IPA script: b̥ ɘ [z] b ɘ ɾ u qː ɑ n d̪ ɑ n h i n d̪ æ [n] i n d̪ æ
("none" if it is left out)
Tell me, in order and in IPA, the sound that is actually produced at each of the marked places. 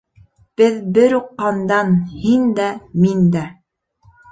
ð, m

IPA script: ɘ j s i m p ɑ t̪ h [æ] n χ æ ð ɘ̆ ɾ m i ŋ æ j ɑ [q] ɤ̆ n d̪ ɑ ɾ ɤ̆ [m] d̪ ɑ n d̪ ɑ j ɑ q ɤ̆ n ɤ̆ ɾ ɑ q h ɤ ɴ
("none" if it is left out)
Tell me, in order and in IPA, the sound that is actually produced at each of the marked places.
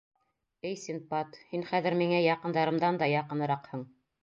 i, q, m

